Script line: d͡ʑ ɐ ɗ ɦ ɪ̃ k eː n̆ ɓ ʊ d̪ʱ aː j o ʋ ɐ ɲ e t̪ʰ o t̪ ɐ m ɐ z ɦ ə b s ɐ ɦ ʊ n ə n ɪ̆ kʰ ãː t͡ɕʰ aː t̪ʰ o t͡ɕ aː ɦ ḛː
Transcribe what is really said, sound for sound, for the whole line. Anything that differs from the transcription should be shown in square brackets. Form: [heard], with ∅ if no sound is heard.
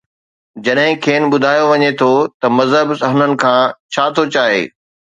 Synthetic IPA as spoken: d͡ʑ ɐ ɗ ɦ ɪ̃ [kʰ] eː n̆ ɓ ʊ d̪ʱ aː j o ʋ ɐ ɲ e t̪ʰ o t̪ ɐ m ɐ z ɦ ə b s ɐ ɦ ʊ n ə n ɪ̆ kʰ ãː t͡ɕʰ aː t̪ʰ o t͡ɕ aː ɦ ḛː